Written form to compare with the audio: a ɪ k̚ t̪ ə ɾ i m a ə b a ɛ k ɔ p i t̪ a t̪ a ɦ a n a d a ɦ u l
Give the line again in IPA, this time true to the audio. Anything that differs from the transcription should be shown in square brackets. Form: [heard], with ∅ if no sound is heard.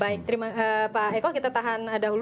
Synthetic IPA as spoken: a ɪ k̚ t̪ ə ɾ i m a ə [p] a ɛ k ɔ [k] i t̪ a t̪ a ɦ a n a d a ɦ u l